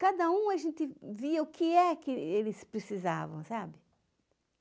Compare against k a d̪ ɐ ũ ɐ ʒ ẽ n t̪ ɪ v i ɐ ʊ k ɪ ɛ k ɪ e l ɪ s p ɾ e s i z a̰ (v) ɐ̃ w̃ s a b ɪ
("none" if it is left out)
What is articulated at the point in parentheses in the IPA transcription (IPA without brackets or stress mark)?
v